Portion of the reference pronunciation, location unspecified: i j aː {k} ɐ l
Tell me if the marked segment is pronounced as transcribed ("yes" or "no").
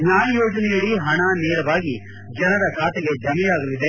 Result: no